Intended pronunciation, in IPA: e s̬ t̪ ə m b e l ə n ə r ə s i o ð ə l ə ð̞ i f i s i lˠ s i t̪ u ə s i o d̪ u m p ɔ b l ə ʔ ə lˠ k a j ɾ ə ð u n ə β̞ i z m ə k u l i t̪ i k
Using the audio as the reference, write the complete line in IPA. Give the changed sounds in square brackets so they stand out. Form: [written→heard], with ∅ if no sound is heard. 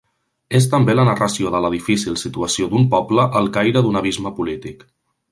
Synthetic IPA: e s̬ t̪ ə m b e l ə n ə r ə s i o ð ə l ə ð̞ i f i s i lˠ s i t̪ u ə s i o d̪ u m p ɔ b l ə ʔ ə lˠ k a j ɾ ə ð u n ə β̞ i z m ə [k→p] u l i t̪ i k